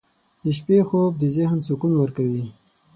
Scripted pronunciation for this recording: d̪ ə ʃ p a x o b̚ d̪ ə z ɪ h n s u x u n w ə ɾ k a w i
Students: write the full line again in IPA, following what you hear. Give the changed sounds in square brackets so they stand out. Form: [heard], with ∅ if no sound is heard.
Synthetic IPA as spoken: d̪ ə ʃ p [e] x o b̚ d̪ ə z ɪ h n s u [k] u n w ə ɾ k a w i